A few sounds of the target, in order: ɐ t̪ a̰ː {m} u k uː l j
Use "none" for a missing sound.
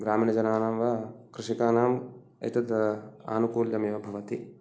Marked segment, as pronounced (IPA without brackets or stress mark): n